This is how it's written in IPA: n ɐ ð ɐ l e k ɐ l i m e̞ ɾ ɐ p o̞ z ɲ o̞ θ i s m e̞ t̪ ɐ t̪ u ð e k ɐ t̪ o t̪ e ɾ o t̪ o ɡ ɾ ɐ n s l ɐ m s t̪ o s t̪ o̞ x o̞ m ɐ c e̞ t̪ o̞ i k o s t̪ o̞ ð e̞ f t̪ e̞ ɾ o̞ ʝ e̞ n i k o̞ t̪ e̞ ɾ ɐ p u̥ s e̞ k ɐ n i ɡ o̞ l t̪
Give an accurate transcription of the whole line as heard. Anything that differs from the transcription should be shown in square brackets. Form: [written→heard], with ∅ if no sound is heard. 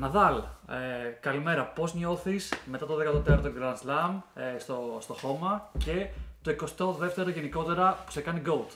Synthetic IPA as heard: n ɐ ð ɐ l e k ɐ l i m e̞ ɾ ɐ p o̞ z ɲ o̞ θ i s m e̞ t̪ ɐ t̪ [u→o] ð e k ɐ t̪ o t̪ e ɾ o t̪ o ɡ ɾ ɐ n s l ɐ m s t̪ o s t̪ o̞ x o̞ m ɐ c e̞ t̪ o̞ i k o s t̪ o̞ ð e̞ f t̪ e̞ ɾ o̞ ʝ e̞ n i k o̞ t̪ e̞ ɾ ɐ p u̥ s e̞ k ɐ n i ɡ o̞ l t̪